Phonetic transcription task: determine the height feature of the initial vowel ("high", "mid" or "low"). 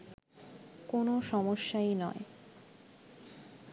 mid